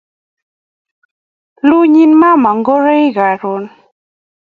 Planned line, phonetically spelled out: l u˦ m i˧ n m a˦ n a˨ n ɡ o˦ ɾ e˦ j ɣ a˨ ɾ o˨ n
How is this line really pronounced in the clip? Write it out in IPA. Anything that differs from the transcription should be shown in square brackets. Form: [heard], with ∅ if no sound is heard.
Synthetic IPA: l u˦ [ɲ] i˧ n m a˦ [m] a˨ [ŋ] ɡ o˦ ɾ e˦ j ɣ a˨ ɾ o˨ n